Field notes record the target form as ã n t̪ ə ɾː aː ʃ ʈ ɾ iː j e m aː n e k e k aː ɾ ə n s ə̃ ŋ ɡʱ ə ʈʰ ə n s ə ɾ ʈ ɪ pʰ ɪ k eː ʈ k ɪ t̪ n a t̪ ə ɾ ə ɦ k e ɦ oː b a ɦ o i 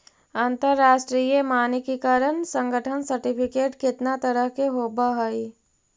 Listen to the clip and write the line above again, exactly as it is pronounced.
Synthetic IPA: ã n t̪ ə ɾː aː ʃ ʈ ɾ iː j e m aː n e k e k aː ɾ ə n s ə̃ ŋ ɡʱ ə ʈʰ ə n s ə ɾ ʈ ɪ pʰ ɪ k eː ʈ k ɪ t̪ n a t̪ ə ɾ ə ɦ k e ɦ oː b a ɦ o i